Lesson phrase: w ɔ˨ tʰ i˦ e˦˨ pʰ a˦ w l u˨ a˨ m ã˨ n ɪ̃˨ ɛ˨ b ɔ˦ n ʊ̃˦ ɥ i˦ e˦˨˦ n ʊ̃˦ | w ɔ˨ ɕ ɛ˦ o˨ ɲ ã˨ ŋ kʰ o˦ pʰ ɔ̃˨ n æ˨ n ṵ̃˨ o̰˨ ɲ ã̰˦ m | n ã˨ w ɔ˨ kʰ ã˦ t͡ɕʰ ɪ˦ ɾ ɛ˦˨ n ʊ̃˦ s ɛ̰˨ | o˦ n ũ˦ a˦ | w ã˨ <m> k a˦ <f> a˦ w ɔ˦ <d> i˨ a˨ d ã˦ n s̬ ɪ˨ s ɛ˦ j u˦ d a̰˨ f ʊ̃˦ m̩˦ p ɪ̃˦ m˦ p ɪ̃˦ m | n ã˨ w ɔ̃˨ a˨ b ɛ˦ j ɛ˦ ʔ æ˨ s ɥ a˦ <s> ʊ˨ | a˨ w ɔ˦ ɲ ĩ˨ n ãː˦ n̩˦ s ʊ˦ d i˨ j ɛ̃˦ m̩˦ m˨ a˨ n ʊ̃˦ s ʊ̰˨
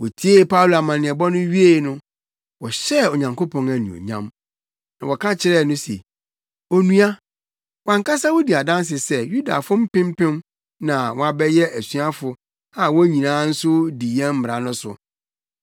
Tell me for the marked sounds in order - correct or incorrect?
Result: incorrect: ŋ, incorrect: s, correct, incorrect: f

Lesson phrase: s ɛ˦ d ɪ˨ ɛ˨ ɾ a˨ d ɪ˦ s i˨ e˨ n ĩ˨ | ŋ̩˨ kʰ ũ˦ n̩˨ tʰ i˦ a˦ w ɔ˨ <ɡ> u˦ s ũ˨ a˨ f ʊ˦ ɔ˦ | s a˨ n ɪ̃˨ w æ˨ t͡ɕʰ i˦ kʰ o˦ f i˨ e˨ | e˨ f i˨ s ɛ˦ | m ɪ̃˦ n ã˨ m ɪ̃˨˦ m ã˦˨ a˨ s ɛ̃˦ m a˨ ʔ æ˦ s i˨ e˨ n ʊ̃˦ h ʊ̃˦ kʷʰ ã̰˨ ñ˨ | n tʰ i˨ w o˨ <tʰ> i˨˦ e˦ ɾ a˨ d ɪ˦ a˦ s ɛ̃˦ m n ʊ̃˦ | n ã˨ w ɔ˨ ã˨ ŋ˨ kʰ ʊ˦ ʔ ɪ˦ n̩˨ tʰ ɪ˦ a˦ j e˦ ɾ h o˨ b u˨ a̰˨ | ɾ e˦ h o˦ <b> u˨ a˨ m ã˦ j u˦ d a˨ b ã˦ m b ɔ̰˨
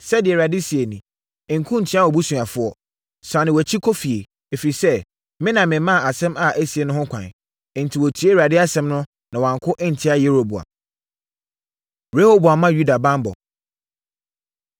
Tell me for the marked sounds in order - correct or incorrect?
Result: incorrect: b, correct, correct

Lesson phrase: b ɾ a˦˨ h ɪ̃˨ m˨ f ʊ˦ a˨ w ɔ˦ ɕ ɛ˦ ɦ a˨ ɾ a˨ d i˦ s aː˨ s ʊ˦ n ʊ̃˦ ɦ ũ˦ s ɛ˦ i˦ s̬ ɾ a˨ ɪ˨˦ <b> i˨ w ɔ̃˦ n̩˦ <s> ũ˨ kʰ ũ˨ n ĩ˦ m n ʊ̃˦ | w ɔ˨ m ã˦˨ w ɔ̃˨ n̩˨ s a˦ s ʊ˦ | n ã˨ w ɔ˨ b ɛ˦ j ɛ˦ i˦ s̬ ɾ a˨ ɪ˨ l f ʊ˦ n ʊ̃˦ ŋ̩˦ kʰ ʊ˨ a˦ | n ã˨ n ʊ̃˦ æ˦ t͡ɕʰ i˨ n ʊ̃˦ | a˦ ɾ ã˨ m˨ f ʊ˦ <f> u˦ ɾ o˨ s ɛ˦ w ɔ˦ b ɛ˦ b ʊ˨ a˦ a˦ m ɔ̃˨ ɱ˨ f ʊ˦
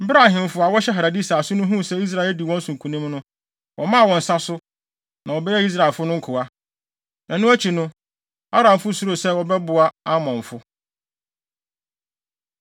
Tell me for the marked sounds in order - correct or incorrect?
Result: incorrect: d, correct, incorrect: s

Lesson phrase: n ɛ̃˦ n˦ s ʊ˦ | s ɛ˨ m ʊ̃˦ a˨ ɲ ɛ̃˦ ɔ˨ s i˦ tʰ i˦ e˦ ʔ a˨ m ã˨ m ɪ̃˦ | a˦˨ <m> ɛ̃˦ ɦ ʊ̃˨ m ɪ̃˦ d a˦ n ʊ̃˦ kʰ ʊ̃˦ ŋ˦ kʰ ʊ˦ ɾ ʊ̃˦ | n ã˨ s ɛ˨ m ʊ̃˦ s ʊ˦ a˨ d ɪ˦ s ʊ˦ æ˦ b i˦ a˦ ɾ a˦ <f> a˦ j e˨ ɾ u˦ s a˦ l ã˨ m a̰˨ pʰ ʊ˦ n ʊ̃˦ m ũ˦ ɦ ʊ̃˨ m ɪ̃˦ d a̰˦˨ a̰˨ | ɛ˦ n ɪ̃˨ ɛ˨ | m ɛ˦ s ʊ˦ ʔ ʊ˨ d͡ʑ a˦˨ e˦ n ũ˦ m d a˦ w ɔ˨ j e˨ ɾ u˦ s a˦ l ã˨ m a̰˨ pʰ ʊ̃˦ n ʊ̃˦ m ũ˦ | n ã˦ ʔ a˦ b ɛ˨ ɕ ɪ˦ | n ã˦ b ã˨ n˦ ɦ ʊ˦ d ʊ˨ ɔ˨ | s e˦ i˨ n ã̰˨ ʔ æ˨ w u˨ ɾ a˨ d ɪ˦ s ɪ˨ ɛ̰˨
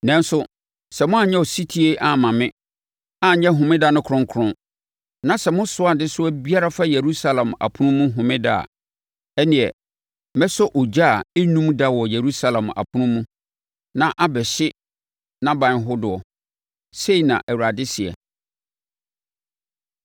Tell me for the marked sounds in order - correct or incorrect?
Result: incorrect: ɲ, correct

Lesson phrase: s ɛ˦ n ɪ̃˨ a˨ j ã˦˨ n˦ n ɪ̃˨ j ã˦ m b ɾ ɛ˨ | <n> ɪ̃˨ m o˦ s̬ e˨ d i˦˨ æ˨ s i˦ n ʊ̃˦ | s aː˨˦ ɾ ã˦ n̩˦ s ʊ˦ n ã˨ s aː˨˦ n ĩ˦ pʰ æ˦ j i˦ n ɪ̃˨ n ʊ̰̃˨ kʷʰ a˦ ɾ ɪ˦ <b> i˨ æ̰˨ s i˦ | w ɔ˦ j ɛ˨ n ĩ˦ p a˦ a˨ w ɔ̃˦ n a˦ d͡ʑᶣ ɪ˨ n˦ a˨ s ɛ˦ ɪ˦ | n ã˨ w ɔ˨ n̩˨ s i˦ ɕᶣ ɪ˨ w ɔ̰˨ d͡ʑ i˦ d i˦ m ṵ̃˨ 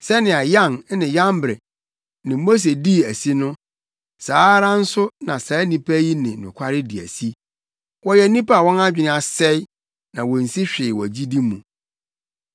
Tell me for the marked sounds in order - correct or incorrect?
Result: correct, incorrect: d

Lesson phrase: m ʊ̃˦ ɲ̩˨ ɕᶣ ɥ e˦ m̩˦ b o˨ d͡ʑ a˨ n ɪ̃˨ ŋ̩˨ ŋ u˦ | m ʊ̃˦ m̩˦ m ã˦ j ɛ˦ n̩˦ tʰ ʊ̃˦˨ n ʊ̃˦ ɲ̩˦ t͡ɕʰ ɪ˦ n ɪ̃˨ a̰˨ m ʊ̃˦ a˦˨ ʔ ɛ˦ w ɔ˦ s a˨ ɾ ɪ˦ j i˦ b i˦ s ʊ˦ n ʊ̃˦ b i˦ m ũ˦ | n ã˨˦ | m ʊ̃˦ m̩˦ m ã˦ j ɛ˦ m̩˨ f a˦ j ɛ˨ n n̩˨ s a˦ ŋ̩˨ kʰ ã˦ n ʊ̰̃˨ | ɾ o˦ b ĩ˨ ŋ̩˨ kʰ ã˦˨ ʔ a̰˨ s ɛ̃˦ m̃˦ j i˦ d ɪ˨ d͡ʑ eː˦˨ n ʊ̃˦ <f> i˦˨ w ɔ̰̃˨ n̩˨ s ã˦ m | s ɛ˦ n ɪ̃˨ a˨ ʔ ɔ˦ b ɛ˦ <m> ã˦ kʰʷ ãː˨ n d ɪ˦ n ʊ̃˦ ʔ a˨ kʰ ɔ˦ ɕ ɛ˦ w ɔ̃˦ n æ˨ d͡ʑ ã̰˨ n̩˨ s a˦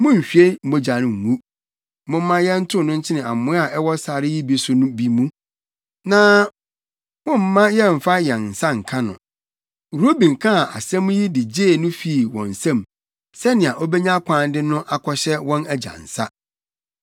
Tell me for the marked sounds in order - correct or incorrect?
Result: correct, incorrect: ɲ

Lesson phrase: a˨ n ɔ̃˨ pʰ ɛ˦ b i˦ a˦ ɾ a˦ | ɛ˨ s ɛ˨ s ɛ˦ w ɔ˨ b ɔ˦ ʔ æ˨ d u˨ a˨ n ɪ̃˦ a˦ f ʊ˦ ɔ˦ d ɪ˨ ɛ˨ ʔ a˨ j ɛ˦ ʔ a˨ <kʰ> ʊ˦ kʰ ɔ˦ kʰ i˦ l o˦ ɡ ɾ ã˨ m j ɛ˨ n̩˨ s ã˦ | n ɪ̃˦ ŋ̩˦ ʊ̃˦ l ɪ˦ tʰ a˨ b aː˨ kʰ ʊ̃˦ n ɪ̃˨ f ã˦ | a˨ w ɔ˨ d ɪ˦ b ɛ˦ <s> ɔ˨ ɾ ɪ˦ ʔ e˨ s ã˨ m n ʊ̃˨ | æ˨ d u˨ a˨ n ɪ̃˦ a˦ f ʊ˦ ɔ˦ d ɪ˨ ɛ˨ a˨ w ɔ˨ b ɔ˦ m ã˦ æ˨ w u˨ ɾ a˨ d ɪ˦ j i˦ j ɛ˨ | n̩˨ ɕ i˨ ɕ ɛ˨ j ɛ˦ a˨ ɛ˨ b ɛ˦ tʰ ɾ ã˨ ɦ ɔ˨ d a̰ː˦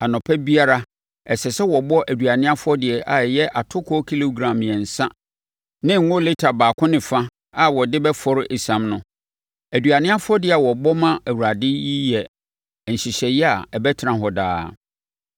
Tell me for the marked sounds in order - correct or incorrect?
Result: incorrect: tʰ, incorrect: f

